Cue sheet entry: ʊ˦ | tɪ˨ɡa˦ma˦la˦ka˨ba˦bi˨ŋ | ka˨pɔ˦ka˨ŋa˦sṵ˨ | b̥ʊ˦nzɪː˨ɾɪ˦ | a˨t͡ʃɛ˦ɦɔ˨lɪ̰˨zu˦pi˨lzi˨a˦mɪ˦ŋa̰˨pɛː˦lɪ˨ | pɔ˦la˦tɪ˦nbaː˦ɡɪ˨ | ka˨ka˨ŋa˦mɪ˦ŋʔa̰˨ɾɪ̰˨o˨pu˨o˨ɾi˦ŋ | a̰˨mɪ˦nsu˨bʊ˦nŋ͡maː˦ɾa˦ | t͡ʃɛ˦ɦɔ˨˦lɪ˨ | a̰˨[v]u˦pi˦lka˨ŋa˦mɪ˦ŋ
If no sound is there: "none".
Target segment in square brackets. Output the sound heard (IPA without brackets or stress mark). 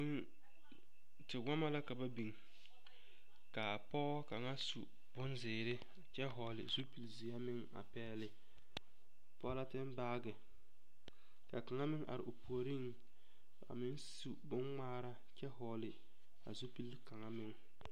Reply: z